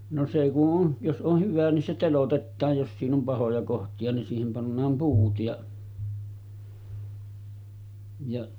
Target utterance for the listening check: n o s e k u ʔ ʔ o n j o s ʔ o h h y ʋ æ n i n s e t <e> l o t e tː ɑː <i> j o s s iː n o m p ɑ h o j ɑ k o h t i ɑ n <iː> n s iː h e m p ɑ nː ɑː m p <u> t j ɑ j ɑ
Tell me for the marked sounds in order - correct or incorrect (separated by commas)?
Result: correct, incorrect, incorrect, incorrect